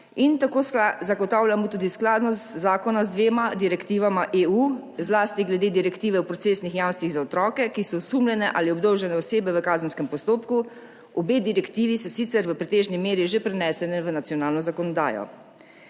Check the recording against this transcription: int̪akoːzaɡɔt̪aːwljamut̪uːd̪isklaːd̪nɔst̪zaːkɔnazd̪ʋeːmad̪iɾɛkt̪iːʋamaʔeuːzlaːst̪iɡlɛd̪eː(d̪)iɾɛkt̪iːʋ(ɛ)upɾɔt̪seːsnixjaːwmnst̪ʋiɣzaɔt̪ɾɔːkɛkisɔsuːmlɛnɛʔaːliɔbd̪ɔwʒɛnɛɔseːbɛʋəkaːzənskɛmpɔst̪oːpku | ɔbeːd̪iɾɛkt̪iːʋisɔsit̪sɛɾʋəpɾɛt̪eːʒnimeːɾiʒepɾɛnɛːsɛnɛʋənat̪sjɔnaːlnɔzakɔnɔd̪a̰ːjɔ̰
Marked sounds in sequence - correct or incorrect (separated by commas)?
correct, correct